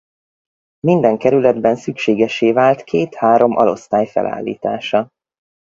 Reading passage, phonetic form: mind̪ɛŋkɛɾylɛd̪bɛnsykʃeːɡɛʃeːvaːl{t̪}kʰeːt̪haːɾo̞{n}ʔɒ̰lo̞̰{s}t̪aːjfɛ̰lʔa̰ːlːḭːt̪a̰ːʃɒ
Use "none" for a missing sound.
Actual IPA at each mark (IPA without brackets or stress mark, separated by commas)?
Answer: t̪, m, s